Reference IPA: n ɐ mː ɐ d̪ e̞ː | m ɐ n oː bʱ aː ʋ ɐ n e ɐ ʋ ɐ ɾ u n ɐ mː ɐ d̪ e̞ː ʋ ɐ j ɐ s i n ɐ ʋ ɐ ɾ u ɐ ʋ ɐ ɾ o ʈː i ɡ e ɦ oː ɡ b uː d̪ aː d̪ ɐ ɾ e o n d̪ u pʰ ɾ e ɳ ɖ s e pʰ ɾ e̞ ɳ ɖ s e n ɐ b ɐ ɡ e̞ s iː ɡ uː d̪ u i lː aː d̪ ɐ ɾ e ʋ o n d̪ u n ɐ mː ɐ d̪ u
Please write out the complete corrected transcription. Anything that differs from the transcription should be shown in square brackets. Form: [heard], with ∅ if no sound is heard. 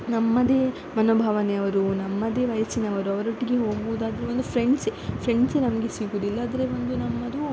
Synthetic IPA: n ɐ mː ɐ d̪ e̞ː | m ɐ n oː bʱ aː ʋ ɐ n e ɐ ʋ ɐ ɾ u n ɐ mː ɐ d̪ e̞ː ʋ ɐ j ɐ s i n ɐ ʋ ɐ ɾ u ɐ ʋ ɐ ɾ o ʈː i ɡ e ɦ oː ɡ b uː d̪ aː d̪ ɐ ɾ e o n d̪ u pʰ ɾ e ɳ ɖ s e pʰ ɾ e̞ ɳ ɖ s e n ɐ [m] ɐ ɡ e̞ s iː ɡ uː d̪ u i lː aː d̪ ɐ ɾ e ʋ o n d̪ u n ɐ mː ɐ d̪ u

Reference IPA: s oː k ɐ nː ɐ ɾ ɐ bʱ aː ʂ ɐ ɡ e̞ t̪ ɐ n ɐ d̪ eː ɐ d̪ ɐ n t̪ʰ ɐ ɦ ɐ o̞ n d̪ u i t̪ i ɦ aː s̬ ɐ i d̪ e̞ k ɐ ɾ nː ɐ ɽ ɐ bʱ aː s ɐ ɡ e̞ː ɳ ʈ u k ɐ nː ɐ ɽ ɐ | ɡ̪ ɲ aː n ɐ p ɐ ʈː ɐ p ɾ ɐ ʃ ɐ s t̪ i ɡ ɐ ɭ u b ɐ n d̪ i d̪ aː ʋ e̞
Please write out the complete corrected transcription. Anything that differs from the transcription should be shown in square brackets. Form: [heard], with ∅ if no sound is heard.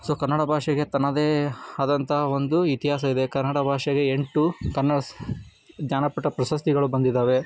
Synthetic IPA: s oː k ɐ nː ɐ [ɽ] ɐ bʱ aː ʂ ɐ ɡ e̞ t̪ ɐ n ɐ d̪ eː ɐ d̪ ɐ n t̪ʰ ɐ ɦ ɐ o̞ n d̪ u i t̪ i ɦ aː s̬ ɐ i d̪ e̞ k ɐ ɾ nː ɐ ɽ ɐ bʱ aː [ʂ] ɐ ɡ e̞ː ɳ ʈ u k ɐ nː ɐ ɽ ɐ | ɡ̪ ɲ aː n ɐ p ɐ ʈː ɐ p ɾ ɐ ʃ ɐ s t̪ i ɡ ɐ ɭ u b ɐ n d̪ i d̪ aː ʋ e̞

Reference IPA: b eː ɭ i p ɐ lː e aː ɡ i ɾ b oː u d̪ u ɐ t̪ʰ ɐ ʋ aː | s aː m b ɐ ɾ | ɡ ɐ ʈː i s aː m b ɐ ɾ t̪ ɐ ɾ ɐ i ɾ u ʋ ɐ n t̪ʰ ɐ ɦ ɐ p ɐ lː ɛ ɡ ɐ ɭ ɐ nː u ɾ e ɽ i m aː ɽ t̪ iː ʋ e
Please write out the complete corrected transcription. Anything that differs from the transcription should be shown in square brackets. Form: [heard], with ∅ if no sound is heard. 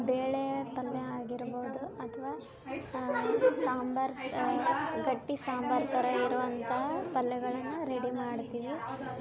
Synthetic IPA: b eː ɭ [e] p ɐ lː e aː ɡ i ɾ b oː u d̪ u ɐ t̪ʰ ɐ ʋ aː | s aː m b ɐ ɾ | ɡ ɐ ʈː i s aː m b ɐ ɾ t̪ ɐ ɾ ɐ i ɾ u ʋ ɐ n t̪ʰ ɐ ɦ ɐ p ɐ lː ɛ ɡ ɐ ɭ ɐ nː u ɾ e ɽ i m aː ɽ t̪ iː ʋ [i]

